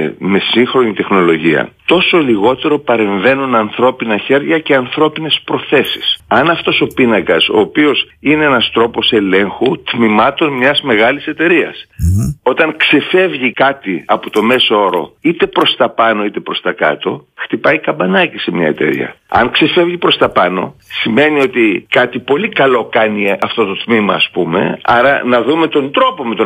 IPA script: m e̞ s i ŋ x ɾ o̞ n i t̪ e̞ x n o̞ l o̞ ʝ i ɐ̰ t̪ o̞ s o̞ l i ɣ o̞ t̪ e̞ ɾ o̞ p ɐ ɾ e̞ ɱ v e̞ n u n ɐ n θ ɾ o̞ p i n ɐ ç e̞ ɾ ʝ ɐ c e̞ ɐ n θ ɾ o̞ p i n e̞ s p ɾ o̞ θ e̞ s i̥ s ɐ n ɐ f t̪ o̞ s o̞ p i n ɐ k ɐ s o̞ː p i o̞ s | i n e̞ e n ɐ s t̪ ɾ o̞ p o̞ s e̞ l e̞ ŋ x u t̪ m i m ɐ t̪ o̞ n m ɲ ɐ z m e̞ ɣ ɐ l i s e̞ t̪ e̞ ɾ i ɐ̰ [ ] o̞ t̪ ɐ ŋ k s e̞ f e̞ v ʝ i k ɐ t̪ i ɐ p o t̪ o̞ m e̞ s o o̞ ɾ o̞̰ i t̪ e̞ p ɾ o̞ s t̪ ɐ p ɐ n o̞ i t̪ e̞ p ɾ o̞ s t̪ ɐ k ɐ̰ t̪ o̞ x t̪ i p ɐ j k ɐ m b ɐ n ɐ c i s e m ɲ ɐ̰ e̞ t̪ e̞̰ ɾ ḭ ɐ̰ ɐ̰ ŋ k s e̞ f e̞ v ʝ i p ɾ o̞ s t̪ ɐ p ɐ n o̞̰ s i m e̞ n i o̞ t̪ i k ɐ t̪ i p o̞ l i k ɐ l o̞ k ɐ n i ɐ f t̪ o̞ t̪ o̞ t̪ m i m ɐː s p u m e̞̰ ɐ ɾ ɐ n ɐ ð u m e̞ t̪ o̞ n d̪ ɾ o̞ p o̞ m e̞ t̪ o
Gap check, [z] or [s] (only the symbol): s